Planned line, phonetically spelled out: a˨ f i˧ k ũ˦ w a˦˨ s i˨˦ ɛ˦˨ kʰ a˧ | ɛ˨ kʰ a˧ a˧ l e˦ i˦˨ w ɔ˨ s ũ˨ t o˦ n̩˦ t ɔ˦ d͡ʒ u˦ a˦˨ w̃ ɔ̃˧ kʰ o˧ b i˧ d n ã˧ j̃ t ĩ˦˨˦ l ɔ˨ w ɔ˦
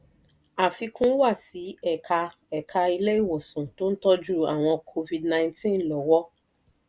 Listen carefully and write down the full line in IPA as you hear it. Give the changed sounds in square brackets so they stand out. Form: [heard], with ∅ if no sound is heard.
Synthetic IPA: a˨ f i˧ k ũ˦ w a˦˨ s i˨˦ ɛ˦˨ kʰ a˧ | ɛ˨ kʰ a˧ [i˧] l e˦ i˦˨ w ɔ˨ s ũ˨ t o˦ n̩˦ t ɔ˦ d͡ʒ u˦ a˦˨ w̃ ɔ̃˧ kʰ o˧ [v] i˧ d n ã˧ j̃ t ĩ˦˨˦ l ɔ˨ w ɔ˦